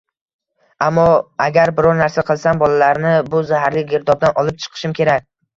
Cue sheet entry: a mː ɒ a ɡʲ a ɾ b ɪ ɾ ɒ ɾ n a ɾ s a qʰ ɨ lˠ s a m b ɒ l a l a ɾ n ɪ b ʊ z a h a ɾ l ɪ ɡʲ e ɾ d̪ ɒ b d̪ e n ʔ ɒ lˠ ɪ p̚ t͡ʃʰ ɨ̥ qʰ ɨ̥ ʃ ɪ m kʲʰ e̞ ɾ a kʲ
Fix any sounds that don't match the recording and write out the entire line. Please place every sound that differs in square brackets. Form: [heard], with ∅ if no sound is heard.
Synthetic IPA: a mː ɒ a ɡʲ a ɾ b ɪ ɾ ɒ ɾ n a ɾ s a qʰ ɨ lˠ s a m b ɒ l a l a ɾ n ɪ b ʊ z a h a ɾ l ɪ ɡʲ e ɾ d̪ ɒ b d̪ [a] n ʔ ɒ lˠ ɪ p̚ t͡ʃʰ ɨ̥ qʰ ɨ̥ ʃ ɪ m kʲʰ e̞ ɾ a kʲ